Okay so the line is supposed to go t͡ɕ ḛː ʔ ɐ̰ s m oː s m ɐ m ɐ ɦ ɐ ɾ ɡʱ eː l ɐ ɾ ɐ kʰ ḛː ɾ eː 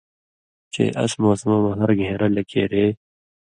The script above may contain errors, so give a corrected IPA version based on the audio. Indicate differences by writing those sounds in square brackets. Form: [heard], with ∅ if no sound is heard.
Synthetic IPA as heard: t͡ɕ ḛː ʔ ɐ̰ s m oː s m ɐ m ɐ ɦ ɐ ɾ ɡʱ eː [ɾ] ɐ [l] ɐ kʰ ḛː ɾ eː